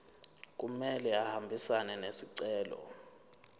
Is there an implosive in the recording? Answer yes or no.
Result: no